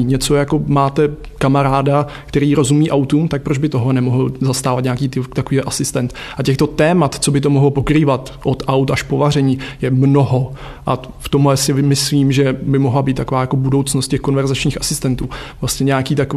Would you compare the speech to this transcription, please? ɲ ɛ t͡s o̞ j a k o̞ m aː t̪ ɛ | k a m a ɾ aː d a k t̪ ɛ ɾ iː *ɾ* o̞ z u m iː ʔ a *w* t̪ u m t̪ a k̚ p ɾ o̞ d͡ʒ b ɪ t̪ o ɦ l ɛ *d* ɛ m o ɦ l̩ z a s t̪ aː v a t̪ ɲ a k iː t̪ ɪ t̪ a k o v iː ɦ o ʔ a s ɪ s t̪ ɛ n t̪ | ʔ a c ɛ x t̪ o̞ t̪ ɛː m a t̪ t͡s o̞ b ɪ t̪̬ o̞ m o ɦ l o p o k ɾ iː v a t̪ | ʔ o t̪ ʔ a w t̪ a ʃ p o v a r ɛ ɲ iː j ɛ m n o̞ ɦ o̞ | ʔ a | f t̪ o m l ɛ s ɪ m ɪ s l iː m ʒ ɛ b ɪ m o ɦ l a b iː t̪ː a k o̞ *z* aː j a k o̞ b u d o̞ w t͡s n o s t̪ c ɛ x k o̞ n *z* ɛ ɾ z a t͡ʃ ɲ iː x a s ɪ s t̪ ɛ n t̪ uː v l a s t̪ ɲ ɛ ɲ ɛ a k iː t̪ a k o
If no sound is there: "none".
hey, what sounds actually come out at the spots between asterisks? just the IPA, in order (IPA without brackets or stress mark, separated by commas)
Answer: ɾ, w, n, v, v